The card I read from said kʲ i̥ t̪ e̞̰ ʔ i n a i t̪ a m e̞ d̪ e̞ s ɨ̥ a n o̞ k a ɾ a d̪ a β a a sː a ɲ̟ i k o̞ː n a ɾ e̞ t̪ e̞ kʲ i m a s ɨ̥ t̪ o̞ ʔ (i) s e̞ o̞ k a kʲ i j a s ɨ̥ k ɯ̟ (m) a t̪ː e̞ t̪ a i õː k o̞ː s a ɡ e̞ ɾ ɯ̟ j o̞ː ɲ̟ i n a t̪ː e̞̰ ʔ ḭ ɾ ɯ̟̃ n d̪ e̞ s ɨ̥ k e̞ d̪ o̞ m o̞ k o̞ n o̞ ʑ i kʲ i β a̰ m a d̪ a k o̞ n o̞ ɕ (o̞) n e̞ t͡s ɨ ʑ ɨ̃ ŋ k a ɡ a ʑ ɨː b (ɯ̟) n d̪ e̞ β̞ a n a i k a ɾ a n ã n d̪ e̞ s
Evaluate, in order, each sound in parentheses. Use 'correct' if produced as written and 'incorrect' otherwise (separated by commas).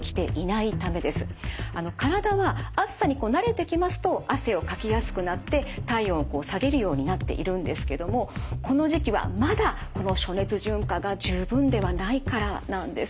incorrect, incorrect, correct, incorrect